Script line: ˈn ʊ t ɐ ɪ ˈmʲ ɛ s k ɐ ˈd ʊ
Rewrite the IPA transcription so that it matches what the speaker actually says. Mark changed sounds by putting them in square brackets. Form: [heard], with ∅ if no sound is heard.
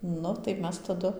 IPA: ˈn ʊ t ɐ ɪ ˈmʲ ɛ s [t] ɐ ˈd ʊ